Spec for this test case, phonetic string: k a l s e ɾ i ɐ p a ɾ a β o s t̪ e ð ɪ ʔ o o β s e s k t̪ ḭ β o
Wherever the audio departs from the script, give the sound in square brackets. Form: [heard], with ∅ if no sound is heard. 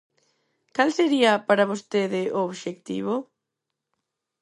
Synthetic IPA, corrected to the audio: k a l s e ɾ i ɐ p a ɾ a β o s t̪ e ð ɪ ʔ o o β [ʃ] e [∅] k t̪ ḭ β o